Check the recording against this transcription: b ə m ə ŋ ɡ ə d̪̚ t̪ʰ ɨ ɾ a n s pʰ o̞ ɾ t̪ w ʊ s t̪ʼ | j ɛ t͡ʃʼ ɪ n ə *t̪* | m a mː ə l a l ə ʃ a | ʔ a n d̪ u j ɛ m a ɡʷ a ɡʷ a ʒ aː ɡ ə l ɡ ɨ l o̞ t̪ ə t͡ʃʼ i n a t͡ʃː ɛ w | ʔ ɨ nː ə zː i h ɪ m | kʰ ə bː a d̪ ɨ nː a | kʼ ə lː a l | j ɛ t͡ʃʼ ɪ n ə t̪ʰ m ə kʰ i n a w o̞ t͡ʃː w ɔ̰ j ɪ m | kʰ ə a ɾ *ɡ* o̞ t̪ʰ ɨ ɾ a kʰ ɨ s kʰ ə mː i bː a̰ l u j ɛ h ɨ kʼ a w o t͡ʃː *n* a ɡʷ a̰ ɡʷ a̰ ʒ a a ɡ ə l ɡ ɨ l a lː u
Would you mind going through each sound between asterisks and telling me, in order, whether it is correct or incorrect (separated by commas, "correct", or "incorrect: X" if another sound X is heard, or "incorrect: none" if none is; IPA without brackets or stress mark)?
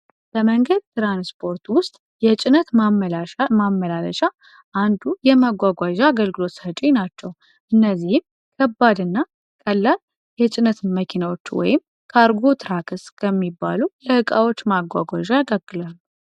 correct, correct, incorrect: m